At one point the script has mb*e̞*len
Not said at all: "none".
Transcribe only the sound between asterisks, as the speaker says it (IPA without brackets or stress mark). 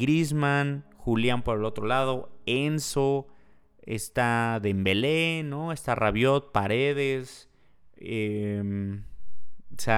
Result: e̞